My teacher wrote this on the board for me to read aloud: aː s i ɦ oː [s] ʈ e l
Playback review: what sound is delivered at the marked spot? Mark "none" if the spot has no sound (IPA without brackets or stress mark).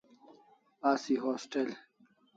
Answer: s